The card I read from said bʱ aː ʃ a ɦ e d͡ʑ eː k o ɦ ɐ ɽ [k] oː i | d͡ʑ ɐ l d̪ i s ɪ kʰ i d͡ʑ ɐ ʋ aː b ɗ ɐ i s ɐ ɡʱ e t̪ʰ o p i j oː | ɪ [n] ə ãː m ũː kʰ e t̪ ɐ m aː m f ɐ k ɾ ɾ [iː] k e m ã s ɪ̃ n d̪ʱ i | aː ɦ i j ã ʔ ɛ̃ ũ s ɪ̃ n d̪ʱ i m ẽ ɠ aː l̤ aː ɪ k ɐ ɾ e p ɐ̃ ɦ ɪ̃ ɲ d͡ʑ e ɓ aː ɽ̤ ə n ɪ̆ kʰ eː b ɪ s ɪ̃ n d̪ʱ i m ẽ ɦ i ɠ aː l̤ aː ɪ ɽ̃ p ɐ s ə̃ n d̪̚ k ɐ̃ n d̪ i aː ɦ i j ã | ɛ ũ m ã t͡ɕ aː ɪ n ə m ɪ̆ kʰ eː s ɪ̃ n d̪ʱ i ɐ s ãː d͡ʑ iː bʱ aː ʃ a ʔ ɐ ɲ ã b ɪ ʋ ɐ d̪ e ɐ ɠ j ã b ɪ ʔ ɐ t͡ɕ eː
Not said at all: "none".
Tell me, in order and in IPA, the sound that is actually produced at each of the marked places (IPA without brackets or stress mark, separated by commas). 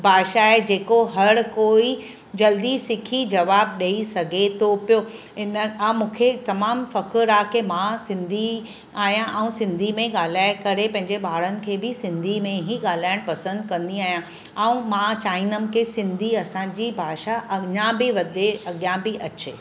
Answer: k, n, aː